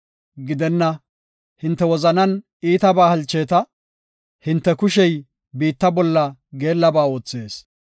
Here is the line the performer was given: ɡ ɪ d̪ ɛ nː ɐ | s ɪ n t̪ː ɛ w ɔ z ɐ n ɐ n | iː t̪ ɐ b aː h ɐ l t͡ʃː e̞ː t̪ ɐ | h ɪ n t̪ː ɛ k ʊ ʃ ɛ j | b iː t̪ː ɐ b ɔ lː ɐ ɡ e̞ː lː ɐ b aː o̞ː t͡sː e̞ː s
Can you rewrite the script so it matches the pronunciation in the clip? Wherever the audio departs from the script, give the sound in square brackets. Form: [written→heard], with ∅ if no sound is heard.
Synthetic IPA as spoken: ɡ ɪ d̪ ɛ nː ɐ | [s→h] ɪ n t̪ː ɛ w ɔ z ɐ n ɐ n | iː t̪ ɐ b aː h ɐ l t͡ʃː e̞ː t̪ ɐ | h ɪ n t̪ː ɛ k ʊ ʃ ɛ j | b iː t̪ː ɐ b ɔ lː ɐ ɡ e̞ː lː ɐ b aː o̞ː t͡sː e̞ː s